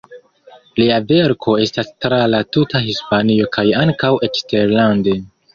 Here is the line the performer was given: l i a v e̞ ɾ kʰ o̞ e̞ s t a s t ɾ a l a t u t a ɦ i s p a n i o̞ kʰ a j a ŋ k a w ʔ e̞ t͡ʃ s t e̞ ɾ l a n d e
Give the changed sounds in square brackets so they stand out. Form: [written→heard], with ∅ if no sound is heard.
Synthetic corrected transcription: l i a v e̞ ɾ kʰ o̞ e̞ s t a s t ɾ a l a t u t a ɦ i s p a n i o̞ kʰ a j a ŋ k a w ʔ e̞ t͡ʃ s t e̞ ɾ l a n d e